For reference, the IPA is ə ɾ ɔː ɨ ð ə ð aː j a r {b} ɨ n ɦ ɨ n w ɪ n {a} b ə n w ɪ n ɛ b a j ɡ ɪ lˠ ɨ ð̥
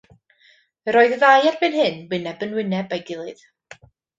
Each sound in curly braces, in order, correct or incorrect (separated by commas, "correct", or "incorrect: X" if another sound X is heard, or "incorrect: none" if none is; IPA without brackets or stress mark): correct, incorrect: ɛ